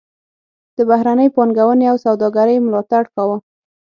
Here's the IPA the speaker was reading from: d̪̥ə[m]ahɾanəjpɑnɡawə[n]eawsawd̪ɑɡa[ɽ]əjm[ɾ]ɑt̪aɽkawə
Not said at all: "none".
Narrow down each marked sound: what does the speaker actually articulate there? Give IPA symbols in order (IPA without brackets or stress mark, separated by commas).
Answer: b, n, ɾ, l